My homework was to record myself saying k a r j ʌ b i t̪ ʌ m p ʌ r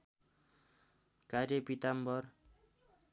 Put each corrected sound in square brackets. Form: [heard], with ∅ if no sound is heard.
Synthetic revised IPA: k a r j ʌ [p] i t̪ [a] m [b] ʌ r

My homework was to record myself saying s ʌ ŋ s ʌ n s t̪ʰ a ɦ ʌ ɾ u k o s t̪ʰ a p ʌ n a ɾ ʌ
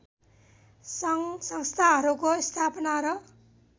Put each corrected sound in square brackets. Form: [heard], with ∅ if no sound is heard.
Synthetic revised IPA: s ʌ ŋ s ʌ [ŋ] s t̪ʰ a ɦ ʌ ɾ u k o s t̪ʰ a p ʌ n a ɾ ʌ

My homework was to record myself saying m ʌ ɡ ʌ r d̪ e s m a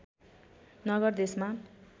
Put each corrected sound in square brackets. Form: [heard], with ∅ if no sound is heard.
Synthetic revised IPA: [n] ʌ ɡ ʌ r d̪ e s m a

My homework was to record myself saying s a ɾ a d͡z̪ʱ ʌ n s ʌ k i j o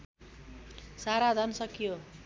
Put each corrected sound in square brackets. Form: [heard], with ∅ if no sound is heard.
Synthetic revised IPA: s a ɾ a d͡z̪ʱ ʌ n s ʌ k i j o

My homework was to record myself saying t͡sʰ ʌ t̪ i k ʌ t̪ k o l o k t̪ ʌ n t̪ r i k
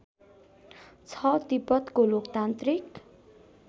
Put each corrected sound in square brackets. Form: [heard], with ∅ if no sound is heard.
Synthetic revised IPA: t͡sʰ ʌ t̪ i [p] ʌ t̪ k o l o k t̪ [a] n t̪ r i k

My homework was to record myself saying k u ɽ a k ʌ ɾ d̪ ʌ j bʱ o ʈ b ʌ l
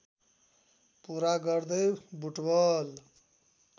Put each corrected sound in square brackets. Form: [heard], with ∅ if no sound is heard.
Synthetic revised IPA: [p] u [ɾ] a [ɡ] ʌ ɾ d̪ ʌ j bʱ [u] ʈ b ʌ l

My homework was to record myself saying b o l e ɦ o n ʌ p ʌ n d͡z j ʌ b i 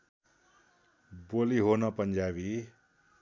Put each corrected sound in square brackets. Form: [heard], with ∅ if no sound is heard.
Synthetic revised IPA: b o l [i] ɦ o n ʌ p ʌ n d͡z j [a] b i

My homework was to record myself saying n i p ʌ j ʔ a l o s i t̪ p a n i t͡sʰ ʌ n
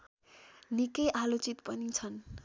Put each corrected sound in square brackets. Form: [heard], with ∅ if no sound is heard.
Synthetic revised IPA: n i [k] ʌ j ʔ a l o [t͡s] i t̪ p [ʌ] n i t͡sʰ ʌ n

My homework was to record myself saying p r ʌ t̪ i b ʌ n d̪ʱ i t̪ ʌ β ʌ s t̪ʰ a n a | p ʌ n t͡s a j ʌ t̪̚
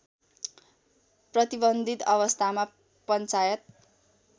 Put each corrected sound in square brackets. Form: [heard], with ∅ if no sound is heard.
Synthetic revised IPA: p r ʌ t̪ i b ʌ n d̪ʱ i t̪ ʌ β ʌ s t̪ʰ a [m] a | p ʌ n t͡s a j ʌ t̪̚

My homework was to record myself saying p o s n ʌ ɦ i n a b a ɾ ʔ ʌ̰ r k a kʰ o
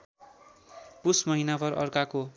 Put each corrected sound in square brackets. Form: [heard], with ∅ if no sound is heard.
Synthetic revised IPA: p [u] s [m] ʌ ɦ i n a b [ʌ] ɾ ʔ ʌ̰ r k a [k] o

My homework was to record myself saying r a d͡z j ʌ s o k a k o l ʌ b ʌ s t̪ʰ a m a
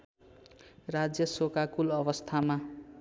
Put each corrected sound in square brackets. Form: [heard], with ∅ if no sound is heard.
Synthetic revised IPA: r a d͡z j ʌ s o k a k [u] l ʌ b ʌ s t̪ʰ a m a

